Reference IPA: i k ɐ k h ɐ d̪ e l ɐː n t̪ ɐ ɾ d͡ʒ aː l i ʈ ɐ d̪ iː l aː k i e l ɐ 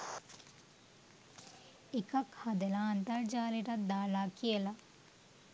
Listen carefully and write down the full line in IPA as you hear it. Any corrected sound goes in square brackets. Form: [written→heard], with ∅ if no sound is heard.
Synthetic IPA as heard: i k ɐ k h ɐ d̪ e l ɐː n t̪ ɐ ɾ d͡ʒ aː l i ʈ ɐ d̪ [iː→aː] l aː k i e l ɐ